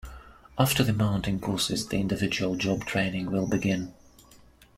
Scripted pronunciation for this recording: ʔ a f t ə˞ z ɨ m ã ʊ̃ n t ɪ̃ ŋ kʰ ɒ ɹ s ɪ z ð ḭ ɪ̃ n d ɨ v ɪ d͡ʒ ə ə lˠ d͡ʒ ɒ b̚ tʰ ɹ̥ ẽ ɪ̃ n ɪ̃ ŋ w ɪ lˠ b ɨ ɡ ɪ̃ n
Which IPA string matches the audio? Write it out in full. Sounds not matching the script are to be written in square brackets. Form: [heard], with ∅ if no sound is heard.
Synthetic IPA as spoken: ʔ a f t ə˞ [ð] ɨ m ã ʊ̃ n t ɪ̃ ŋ kʰ [ɔ] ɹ s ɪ z ð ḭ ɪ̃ n d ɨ v ɪ d͡ʒ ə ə lˠ d͡ʒ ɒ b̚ tʰ ɹ̥ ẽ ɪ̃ n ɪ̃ ŋ w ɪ lˠ b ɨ ɡ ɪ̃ n